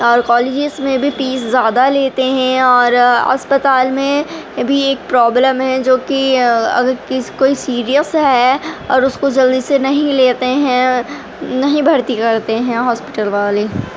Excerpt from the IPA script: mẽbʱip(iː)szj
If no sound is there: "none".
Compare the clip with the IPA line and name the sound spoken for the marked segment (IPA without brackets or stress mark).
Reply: iː